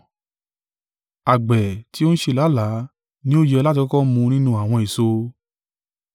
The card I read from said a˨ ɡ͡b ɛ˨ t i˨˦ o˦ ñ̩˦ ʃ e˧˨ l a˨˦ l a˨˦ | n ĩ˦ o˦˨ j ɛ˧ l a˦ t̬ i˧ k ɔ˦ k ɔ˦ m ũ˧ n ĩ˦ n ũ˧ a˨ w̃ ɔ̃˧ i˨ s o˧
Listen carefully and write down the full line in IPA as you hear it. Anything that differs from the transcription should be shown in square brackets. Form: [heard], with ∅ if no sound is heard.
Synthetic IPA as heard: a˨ ɡ͡b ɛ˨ t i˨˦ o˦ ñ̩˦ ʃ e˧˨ l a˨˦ l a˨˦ | n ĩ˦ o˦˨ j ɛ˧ l a˦ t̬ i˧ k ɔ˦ k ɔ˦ m ũ˧ n ĩ˦ n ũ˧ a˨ w̃ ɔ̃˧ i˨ s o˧